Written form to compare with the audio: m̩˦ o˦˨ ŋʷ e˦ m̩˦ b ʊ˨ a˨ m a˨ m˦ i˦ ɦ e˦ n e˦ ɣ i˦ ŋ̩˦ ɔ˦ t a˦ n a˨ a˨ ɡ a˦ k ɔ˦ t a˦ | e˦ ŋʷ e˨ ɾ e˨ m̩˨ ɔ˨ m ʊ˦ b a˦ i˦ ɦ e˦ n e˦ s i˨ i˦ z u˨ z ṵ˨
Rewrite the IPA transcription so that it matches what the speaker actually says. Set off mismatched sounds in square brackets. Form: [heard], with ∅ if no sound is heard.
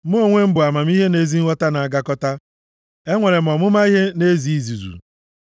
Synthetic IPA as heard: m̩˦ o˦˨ ŋʷ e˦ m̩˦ b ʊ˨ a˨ m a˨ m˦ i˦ ɦ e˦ n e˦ [z] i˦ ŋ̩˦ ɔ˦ t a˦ n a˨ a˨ ɡ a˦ k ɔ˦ t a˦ | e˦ ŋʷ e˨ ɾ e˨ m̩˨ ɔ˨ m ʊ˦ [m] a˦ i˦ ɦ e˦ n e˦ [z] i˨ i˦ z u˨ z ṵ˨